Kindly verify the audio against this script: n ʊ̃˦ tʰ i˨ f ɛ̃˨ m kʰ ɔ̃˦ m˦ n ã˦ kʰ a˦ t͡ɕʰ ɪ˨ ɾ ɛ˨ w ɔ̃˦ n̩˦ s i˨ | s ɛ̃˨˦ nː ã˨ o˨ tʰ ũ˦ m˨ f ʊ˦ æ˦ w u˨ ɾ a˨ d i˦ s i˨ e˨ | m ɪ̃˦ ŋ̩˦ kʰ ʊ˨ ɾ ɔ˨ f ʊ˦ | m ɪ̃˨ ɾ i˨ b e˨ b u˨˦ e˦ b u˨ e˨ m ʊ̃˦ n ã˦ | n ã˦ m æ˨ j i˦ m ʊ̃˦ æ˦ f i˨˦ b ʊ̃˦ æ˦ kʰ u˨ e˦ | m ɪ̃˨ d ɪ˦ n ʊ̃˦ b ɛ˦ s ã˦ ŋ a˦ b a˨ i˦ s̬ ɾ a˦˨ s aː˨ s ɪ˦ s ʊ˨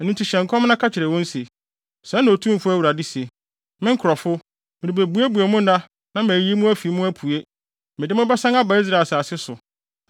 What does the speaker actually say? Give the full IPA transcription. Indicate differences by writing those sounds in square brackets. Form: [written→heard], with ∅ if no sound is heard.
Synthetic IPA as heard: n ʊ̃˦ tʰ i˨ [f→ɕ] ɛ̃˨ [m→ŋ] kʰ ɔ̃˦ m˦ n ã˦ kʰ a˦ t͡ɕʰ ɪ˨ ɾ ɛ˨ w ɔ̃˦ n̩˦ s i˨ | s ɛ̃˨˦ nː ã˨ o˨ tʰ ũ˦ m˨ f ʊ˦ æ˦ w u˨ ɾ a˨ d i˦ s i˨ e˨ | m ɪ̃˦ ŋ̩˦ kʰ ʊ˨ ɾ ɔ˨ f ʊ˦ | m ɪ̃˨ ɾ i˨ b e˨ b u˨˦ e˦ b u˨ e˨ m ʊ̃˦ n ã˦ | n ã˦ m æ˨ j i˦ m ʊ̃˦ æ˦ f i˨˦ [b→m] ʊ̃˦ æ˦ [kʰ→pʰ] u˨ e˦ | m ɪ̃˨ d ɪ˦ [n→m] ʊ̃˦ b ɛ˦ s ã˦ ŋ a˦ b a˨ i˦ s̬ ɾ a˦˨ s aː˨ s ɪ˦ s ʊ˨

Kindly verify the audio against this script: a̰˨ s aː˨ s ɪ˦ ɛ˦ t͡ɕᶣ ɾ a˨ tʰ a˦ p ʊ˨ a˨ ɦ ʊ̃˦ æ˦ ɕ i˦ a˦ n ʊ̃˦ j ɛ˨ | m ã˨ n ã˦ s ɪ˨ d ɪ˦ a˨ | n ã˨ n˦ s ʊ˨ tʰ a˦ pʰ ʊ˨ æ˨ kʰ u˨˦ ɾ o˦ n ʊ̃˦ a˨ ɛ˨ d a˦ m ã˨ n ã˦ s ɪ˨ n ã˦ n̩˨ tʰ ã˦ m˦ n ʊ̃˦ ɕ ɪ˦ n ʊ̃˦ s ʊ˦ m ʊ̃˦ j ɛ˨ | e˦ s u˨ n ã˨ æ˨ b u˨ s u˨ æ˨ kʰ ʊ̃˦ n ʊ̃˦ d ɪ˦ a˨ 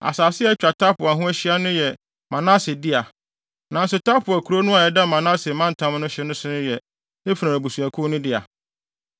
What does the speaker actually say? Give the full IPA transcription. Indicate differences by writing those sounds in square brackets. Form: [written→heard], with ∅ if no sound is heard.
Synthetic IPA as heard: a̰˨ s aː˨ s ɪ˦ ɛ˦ t͡ɕᶣ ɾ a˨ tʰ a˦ p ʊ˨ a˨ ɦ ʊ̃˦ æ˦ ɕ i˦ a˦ n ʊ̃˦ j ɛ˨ | m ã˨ n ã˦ s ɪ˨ d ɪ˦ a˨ | n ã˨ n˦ s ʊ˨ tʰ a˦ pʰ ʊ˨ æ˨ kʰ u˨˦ ɾ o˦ n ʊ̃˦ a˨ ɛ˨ d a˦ m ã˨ n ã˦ s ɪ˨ [n→m] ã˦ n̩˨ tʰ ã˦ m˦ n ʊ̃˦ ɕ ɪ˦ n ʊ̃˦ s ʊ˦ [m→n] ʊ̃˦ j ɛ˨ | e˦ [s→f] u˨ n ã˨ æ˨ b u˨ s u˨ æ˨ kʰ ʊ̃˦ n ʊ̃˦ d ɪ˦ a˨

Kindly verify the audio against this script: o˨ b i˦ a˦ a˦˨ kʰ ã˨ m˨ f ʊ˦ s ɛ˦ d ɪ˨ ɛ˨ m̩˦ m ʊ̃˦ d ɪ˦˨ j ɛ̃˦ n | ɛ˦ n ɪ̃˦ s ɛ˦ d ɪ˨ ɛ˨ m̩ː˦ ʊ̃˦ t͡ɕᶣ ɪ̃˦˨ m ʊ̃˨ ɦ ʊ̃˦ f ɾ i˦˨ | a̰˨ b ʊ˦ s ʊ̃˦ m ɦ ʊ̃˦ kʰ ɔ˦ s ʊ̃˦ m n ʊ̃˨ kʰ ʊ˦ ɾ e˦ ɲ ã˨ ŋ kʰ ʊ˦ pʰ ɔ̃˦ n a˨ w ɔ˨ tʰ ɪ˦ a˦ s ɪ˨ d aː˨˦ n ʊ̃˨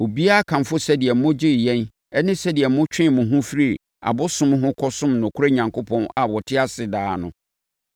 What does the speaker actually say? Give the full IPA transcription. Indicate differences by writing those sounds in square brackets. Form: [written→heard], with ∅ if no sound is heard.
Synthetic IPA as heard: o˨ b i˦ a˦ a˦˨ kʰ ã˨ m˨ f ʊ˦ s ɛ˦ d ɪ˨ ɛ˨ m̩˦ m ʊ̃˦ [d→d͡ʑ] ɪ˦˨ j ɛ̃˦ n | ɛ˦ n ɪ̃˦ s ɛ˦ d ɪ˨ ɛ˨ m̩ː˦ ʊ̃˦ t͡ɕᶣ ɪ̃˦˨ m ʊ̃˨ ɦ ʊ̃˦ f ɾ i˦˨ | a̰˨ b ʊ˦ s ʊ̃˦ m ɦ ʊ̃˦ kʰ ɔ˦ s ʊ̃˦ m n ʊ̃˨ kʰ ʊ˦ ɾ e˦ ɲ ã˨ ŋ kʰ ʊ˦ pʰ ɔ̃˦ n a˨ w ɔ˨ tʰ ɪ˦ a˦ s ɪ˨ d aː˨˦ n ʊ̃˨

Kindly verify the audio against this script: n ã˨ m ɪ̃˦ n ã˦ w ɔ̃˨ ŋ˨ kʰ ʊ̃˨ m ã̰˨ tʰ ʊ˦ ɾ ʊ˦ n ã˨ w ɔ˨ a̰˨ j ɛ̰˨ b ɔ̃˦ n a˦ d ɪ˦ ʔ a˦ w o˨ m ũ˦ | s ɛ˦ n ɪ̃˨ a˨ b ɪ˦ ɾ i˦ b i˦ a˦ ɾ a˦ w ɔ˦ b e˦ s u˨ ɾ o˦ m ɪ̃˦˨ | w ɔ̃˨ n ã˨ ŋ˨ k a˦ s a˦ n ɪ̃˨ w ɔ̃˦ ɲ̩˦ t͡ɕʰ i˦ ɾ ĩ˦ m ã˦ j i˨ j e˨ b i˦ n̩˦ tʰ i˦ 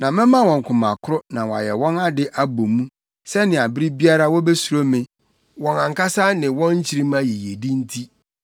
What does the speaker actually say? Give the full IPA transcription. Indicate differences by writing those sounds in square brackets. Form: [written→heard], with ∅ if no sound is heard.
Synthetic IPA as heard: n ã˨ m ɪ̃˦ [n→m] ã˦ w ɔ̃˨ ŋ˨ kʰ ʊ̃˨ m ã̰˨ [tʰ→kʰ] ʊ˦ ɾ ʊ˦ n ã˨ w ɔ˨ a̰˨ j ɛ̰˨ [b→w] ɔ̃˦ n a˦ d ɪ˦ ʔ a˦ [w→b] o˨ m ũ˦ | s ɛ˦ n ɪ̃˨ a˨ b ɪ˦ ɾ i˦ b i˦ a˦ ɾ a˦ w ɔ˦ b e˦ s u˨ ɾ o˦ m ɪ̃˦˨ | w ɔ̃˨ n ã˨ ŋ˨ k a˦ s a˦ n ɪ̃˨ w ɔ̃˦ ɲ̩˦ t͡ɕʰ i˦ ɾ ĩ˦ m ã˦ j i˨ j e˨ [b→d] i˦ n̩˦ tʰ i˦

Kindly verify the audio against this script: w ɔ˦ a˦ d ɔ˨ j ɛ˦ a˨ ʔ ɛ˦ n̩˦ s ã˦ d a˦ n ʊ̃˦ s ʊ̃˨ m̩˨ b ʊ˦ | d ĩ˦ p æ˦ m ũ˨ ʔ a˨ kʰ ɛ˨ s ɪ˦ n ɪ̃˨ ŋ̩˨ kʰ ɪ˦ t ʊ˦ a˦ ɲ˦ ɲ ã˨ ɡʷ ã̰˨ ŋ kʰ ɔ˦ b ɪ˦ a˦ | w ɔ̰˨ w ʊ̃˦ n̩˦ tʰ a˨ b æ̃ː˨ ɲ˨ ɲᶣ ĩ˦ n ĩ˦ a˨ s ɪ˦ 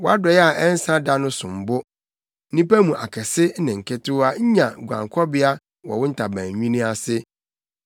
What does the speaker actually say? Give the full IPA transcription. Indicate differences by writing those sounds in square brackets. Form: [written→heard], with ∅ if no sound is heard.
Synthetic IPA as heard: w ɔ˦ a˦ d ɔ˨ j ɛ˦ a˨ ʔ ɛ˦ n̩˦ s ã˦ d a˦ n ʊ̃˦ s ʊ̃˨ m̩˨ b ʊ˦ | [d→n] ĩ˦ p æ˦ m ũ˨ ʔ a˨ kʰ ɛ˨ s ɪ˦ n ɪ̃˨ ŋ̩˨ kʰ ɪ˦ t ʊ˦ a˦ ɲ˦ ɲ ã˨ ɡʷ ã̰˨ ŋ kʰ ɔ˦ b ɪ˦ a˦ | w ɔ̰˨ w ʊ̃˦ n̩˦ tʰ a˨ b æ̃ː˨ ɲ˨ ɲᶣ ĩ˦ n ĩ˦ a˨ s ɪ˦

